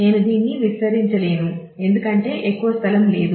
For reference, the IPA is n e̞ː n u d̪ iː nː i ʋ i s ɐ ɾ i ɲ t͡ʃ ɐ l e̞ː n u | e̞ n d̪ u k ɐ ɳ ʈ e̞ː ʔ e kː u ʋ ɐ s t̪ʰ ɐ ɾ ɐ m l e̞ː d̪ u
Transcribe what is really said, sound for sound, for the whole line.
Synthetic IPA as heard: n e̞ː n u d̪ iː nː i ʋ i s ɐ ɾ i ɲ t͡ʃ ɐ l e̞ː n u | e̞ n d̪ u k ɐ ɳ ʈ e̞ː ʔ e kː u ʋ ɐ s t̪ʰ ɐ l ɐ m l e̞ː d̪ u